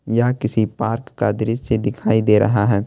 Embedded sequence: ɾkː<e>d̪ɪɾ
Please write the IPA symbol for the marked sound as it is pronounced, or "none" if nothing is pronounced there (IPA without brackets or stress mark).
a